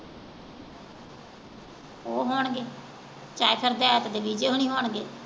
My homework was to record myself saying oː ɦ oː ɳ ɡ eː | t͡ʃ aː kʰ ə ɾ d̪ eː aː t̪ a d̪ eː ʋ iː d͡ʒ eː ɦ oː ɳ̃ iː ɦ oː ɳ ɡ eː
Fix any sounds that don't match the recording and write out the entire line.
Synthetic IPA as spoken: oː ɦ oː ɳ ɡ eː | t͡ʃ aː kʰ ə ɾ d̪ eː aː t̪ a d̪ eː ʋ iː d͡ʒ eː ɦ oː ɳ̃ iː ɦ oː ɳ ɡ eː